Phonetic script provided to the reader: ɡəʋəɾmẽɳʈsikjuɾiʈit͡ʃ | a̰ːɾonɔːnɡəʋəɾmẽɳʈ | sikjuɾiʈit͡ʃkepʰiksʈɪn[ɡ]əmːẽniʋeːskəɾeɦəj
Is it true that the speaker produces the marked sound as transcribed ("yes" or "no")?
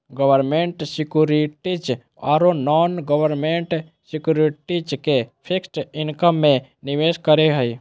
no